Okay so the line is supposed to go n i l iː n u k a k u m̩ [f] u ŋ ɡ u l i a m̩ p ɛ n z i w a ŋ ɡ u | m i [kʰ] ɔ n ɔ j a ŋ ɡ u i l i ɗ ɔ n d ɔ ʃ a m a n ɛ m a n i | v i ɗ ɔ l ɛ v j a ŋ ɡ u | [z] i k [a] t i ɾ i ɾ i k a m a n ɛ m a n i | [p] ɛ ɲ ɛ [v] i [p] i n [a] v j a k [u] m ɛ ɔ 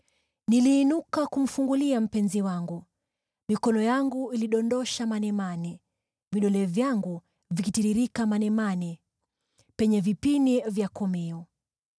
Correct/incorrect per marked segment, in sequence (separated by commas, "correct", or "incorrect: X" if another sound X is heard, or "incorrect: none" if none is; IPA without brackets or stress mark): correct, incorrect: k, incorrect: v, incorrect: i, correct, correct, correct, incorrect: i, incorrect: ɔ